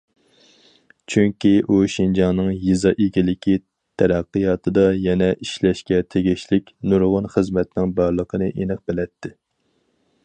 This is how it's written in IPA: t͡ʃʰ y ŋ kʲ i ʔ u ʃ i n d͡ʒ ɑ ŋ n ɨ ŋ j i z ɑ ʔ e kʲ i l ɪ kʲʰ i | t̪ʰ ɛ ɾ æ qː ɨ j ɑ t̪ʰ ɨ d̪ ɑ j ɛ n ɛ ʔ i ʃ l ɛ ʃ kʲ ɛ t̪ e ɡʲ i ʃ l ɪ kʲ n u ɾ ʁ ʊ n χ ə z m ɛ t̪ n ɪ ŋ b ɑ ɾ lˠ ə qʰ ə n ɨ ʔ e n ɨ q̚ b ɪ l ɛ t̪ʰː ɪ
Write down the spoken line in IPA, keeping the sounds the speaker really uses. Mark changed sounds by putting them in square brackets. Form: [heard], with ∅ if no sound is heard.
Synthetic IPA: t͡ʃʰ y ŋ kʲ i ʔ u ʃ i n d͡ʒ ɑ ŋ n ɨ ŋ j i z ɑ ʔ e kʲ i l ɪ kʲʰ i | t̪ʰ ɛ ɾ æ qː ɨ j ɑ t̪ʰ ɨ d̪ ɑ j ɛ n ɛ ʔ i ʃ l ɛ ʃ kʲ ɛ [t̪ʰ] e ɡʲ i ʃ l ɪ kʲ n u ɾ ʁ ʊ n χ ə z m ɛ t̪ n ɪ ŋ b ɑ ɾ lˠ ə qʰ ə n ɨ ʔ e n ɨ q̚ b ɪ l ɛ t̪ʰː ɪ